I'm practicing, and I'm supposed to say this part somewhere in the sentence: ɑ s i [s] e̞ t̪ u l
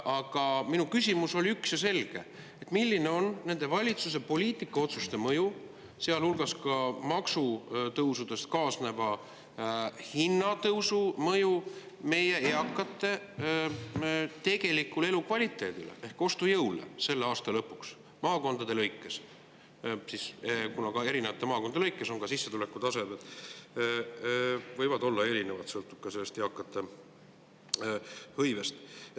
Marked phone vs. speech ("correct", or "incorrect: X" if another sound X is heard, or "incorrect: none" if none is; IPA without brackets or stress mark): incorrect: sː